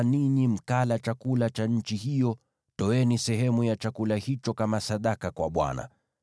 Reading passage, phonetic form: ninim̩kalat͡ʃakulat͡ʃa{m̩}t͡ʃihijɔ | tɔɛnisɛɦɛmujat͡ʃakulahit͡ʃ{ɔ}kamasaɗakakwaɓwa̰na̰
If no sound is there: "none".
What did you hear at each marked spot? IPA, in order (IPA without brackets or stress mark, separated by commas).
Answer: ɲ̩, ɔ